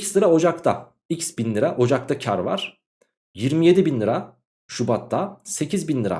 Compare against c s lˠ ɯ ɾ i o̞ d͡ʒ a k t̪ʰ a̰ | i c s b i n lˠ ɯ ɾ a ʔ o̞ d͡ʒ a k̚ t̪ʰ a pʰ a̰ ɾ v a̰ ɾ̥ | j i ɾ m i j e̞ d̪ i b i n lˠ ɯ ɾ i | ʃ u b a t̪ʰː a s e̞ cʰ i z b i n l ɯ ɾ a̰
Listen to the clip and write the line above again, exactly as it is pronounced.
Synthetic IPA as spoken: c s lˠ ɯ ɾ a o̞ d͡ʒ a k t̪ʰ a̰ | i c s b i n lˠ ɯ ɾ a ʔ o̞ d͡ʒ a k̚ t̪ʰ a cʰ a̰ ɾ v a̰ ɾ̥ | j i ɾ m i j e̞ d̪ i b i n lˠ ɯ ɾ a | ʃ u b a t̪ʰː a s e̞ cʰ i z b i n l ɯ ɾ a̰